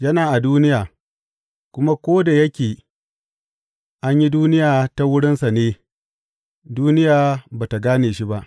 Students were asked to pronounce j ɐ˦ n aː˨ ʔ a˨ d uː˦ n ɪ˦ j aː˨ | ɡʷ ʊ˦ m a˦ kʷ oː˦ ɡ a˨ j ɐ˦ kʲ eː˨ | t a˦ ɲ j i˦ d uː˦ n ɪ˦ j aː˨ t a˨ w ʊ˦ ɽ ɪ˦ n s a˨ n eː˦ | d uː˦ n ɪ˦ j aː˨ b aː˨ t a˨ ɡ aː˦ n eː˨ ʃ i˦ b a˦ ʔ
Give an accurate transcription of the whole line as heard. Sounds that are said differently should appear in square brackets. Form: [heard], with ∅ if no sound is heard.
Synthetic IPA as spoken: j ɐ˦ n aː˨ ʔ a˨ d uː˦ n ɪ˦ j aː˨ | [kʷ] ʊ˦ m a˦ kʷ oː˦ [d] a˨ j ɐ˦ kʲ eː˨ | [ʔ] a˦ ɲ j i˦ d uː˦ n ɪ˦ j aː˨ t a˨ w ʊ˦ ɽ ɪ˦ n s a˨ n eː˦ | d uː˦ n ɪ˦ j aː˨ b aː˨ t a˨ ɡ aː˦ n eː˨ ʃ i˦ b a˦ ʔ